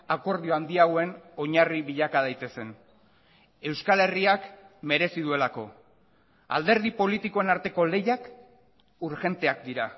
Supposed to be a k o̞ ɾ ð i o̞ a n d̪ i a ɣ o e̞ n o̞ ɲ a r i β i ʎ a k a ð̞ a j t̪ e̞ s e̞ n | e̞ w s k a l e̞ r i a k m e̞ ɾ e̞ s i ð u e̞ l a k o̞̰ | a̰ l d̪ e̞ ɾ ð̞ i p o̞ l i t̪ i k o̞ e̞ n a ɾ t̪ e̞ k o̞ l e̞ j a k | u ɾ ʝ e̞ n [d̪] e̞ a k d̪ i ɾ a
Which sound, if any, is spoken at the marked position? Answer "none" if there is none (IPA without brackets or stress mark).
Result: t̪